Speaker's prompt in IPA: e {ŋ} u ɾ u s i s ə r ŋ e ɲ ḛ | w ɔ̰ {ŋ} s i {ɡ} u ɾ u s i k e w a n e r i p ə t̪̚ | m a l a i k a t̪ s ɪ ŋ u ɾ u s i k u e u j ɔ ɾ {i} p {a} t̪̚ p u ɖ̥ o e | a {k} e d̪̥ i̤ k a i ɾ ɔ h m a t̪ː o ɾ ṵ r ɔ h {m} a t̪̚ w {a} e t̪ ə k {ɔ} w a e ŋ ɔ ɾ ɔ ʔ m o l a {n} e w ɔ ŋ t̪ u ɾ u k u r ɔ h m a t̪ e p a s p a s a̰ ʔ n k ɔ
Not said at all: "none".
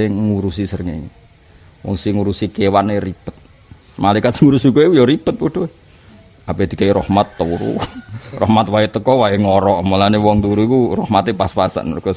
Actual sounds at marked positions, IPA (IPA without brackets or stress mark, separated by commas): ŋ, ŋ, ŋ, i, ə, p, m, a, ɔ, n